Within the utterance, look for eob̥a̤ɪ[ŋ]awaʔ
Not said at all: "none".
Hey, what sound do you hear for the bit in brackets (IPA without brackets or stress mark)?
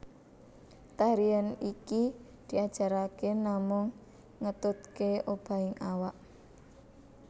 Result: ŋ